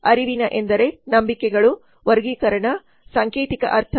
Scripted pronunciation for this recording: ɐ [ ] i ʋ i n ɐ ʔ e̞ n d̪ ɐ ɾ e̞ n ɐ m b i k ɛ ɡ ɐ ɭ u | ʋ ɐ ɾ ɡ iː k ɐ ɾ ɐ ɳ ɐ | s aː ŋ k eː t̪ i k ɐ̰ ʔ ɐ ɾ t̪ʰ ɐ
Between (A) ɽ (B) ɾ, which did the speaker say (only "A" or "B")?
B